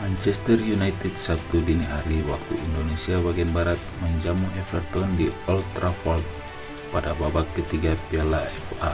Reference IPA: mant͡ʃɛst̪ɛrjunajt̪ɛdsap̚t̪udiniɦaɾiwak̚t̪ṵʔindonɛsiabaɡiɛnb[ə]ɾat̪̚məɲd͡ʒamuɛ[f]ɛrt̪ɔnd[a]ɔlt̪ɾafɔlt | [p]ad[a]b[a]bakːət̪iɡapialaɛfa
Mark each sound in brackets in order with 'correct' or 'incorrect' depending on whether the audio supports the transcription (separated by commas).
incorrect, correct, incorrect, correct, correct, correct